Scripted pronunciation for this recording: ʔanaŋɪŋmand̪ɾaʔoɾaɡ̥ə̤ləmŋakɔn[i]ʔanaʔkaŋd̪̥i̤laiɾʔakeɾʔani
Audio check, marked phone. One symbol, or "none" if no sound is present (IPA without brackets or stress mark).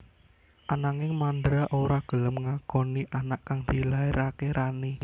i